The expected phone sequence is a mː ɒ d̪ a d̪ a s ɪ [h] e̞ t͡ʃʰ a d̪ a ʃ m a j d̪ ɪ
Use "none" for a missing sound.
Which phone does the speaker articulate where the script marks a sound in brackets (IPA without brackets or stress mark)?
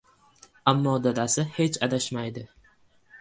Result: h